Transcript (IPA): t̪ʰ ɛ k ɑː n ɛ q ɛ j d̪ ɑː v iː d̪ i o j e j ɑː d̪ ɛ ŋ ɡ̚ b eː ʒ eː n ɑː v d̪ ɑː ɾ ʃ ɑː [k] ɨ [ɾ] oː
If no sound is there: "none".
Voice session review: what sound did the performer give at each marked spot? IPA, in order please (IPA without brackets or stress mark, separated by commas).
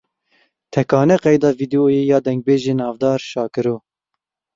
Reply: k, ɾ